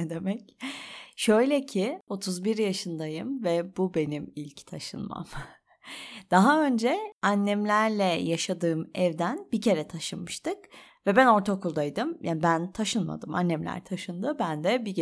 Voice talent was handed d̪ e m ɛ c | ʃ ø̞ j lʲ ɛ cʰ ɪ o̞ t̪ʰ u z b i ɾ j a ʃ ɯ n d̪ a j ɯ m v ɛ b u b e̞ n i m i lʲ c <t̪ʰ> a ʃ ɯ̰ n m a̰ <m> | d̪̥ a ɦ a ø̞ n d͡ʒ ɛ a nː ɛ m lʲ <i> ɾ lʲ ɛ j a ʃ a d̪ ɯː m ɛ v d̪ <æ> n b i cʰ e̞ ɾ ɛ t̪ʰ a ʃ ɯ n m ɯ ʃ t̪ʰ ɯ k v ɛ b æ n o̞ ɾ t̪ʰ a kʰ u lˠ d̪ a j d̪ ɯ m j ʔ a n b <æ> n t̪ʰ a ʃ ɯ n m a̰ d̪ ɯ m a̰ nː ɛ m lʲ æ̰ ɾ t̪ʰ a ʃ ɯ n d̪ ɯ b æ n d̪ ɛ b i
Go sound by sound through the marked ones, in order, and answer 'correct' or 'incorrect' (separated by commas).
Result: correct, correct, incorrect, correct, correct